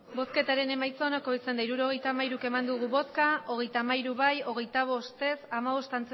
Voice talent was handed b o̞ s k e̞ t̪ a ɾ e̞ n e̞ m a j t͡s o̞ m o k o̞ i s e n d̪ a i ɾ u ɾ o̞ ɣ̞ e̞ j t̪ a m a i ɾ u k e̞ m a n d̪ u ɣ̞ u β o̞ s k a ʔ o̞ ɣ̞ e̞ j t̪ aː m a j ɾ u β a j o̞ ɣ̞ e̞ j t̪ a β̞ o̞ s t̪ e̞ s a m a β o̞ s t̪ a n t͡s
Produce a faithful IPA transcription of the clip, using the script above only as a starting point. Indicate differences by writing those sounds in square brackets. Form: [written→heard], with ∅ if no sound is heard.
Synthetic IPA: b o̞ s k e̞ t̪ a ɾ e̞ n e̞ m a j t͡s o̞ [m→n] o k o̞ i s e n d̪ a i ɾ u ɾ o̞ ɣ̞ e̞ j t̪ a m a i ɾ u k e̞ m a n d̪ u ɣ̞ u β o̞ s k a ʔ o̞ ɣ̞ e̞ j t̪ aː m a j ɾ u β a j o̞ ɣ̞ e̞ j t̪ a β̞ o̞ s t̪ e̞ s a m a β o̞ s t̪ a n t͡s